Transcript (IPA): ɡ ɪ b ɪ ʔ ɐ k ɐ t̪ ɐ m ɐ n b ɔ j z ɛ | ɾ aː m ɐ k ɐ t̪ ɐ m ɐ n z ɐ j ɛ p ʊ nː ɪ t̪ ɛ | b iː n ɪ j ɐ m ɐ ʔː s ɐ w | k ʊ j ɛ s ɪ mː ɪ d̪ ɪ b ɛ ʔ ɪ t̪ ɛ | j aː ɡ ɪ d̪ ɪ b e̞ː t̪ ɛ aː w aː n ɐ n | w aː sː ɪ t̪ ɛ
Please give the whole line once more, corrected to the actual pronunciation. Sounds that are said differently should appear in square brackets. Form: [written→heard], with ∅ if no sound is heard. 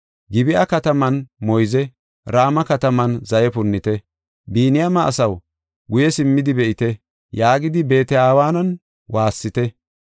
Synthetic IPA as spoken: ɡ ɪ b ɪ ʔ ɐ k ɐ t̪ ɐ m ɐ n [b→m] ɔ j z ɛ | ɾ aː m ɐ k ɐ t̪ ɐ m ɐ n z ɐ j ɛ p ʊ nː ɪ t̪ ɛ | b iː n ɪ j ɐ m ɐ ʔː s ɐ w | [k→ɡ] ʊ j ɛ s ɪ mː ɪ d̪ ɪ b ɛ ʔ ɪ t̪ ɛ | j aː ɡ ɪ d̪ ɪ b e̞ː t̪ ɛ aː w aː n ɐ n | w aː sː ɪ t̪ ɛ